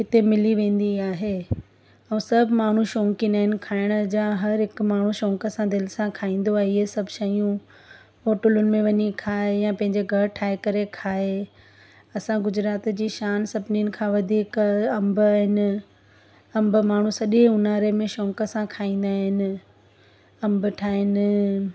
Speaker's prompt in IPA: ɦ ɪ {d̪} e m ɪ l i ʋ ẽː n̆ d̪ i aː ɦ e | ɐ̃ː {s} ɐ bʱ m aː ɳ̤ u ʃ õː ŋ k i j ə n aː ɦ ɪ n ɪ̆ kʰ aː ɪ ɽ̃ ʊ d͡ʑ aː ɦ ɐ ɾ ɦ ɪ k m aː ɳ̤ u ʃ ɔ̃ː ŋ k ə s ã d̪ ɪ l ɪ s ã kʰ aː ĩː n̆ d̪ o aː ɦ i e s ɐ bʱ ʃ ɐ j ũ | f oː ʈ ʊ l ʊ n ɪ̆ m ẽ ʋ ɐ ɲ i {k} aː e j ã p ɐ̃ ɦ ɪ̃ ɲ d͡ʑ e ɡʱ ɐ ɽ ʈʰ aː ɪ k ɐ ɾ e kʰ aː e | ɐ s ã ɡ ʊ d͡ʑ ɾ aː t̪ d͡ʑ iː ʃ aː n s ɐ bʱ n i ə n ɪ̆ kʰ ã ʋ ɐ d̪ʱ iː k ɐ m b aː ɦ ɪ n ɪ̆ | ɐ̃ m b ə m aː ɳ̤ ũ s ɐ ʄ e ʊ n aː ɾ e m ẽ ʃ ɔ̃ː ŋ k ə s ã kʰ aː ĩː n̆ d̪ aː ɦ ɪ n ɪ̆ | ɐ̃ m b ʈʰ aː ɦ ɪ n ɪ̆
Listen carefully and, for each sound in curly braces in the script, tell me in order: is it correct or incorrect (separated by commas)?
incorrect, correct, incorrect